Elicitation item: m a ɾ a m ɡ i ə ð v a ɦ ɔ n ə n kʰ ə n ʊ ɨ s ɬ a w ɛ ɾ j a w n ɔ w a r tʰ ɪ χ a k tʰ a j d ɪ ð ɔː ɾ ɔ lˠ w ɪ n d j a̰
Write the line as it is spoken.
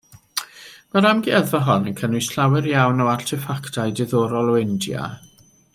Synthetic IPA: m a ɾ a m ɡ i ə ð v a ɦ ɔ n ə n kʰ ə n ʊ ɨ s ɬ a w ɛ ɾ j a w n ɔ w a r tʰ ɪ f a k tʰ a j d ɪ ð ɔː ɾ ɔ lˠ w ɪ n d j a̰